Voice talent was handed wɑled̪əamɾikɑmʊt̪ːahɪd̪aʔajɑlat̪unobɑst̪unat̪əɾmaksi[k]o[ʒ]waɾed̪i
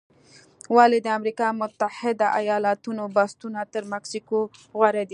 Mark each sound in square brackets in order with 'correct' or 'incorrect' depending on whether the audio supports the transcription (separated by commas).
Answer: correct, incorrect